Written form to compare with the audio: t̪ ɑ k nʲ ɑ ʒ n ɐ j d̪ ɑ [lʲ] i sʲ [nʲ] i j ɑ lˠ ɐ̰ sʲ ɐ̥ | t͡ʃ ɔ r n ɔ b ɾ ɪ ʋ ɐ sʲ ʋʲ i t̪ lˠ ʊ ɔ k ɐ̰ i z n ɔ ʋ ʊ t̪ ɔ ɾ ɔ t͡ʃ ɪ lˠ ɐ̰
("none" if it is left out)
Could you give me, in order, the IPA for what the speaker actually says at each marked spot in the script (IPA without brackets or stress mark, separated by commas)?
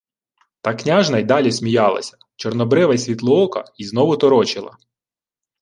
lʲ, mʲ